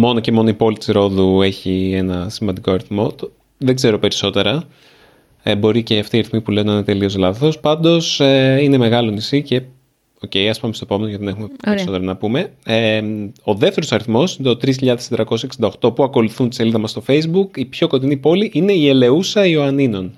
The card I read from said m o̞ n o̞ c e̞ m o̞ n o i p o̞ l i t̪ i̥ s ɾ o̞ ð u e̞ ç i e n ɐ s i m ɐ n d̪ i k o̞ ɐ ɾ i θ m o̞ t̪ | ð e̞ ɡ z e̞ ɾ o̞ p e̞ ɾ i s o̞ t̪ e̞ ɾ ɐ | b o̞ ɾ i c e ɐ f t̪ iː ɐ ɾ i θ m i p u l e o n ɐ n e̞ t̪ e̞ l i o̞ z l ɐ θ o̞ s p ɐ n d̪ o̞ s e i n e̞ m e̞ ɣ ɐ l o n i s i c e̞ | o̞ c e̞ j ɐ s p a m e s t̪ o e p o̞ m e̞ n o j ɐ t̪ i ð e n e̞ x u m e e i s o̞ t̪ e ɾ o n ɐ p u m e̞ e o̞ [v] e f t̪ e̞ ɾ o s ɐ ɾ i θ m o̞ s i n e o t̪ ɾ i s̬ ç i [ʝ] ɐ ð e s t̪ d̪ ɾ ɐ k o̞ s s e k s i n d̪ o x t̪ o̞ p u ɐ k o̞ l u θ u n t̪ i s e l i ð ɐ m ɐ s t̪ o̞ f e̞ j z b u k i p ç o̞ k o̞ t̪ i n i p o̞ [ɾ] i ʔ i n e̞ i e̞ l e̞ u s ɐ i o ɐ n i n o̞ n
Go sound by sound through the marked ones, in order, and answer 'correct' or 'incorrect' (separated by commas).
incorrect, incorrect, incorrect